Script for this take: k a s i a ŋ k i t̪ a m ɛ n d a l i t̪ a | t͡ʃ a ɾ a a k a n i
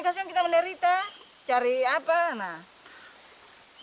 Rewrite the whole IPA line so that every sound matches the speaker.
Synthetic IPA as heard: k a s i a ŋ k i t̪ a m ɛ n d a ɾ i t̪ a | t͡ʃ a ɾ i a p a n a

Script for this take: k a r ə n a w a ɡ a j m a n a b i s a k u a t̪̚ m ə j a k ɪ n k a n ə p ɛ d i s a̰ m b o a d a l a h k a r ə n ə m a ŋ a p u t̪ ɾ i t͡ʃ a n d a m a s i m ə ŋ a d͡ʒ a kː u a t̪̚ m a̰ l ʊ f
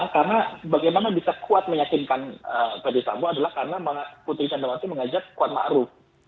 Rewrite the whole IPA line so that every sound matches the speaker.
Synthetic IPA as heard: k a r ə n a b a ɡ a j m a n a b i s a k u a t̪̚ m ə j a k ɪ n k a n ə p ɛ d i s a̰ m b o a d a l a h k a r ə n a m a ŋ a p u t̪ ɾ i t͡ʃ a n d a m a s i m ə ŋ a d͡ʒ a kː u a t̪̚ m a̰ ɾ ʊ f

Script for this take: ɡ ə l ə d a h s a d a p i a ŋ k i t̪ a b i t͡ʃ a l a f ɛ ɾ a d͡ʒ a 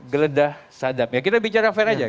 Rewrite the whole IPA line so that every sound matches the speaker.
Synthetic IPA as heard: ɡ ə l ə d a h s a d a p j a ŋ k i t̪ a b i t͡ʃ a ɾ a f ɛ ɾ a d͡ʒ a

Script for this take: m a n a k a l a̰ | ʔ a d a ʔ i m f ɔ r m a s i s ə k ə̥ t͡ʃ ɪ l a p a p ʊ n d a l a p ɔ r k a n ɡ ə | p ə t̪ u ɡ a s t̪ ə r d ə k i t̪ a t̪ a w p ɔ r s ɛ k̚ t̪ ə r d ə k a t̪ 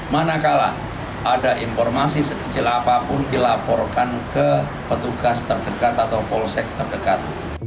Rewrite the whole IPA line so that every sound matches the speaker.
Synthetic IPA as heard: m a n a k a l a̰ | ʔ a d a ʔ i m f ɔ r m a s i s ə k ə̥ t͡ʃ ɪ l a p a p ʊ n d i l a p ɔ r k a n k ə | p ə t̪ u ɡ a s t̪ ə r d ə k a t̪ a t̪ a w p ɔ l s ɛ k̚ t̪ ə r d ə k a t̪

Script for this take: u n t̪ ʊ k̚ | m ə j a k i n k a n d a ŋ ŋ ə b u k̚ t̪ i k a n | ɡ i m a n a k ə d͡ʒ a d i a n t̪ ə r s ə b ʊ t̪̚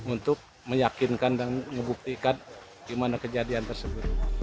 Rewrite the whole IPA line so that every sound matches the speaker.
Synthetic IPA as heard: u n t̪ ʊ k̚ | m ə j a k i n k a n d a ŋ ŋ ə b u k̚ t̪ i k a n | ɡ i m a n a k ə d͡ʒ a d i a n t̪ ə r s ə b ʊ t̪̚

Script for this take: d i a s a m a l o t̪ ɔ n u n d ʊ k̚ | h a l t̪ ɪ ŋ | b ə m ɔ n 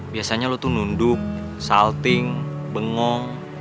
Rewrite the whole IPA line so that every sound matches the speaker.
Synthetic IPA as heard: b i a s a ɲ a l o t̪ u n u n d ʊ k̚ | s a l t̪ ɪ ŋ | b ə ŋ ɔ ŋ

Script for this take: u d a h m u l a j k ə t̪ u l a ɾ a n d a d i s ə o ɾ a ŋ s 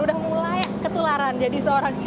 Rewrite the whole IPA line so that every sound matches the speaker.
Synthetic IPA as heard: u d a h m u l a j k ə t̪ u l a ɾ a n d͡ʒ a d i s ə o ɾ a ŋ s

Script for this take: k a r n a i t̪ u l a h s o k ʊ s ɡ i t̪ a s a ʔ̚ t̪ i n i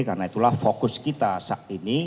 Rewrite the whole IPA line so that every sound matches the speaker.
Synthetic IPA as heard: k a r n a i t̪ u l a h f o k ʊ s k i t̪ a s a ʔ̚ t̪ i n i

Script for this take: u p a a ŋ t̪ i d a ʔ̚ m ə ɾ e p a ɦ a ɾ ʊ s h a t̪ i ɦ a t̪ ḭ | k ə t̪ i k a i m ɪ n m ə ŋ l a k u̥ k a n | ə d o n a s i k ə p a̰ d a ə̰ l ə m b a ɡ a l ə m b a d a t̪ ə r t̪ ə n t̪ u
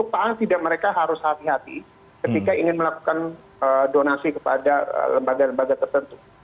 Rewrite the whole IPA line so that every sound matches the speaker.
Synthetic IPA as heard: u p a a ŋ t̪ i d a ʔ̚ m ə ɾ e k a ɦ a ɾ ʊ s h a t̪ i ɦ a t̪ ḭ | k ə t̪ i k a i ŋ ɪ n m ə l a k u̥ k a n | ə d o n a s i k ə p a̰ d a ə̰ l ə m b a ɡ a l ə m b a ɡ a t̪ ə r t̪ ə n t̪ u

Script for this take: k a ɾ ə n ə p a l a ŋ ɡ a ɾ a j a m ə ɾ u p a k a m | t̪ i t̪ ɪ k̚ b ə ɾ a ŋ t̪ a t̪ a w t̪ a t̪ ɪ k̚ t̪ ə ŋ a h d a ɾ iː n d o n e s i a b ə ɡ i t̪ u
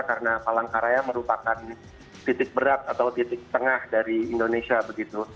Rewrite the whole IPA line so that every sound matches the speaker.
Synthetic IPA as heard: k a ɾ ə n a p a l a ŋ k a ɾ a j a m ə ɾ u p a k a n | t̪ i t̪ ɪ k̚ b ə ɾ a t̪ a t̪ a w t̪ i t̪ ɪ k̚ t̪ ə ŋ a h d a ɾ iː n d o n e s i a b ə ɡ i t̪ u

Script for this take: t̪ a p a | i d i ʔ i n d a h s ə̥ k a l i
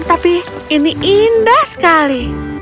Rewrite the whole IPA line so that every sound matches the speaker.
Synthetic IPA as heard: t̪ a p i | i n i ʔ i n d a h s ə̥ k a l i

